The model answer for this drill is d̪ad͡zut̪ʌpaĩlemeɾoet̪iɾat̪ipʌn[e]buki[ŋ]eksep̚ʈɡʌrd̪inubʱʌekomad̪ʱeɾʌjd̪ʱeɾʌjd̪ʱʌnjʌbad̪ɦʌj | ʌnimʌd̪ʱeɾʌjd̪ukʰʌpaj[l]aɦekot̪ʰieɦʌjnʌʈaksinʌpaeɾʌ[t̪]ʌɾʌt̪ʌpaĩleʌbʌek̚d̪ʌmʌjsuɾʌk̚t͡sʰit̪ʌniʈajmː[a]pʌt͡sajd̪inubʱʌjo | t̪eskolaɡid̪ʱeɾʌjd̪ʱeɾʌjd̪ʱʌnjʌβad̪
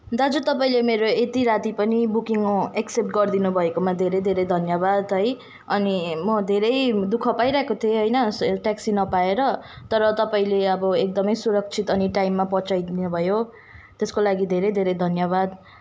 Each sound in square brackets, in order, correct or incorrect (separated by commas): incorrect, correct, incorrect, correct, correct